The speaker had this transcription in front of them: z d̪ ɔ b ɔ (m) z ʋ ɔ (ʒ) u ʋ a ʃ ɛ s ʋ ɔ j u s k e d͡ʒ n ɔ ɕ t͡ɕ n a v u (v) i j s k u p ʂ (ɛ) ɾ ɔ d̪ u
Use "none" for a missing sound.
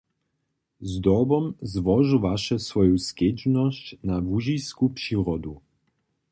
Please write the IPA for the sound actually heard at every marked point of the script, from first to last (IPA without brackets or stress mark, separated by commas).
m, ʒ, ʒ, i